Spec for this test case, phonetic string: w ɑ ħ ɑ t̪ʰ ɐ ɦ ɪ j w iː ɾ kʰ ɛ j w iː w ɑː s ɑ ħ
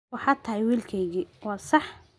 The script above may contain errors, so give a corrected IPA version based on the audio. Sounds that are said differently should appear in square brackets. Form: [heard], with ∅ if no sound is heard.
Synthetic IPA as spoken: w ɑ ħ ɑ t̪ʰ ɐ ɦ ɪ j w iː [l] kʰ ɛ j [ɣ] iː w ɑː s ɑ ħ